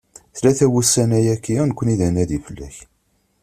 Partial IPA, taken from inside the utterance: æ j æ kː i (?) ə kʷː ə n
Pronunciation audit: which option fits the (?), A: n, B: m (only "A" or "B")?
A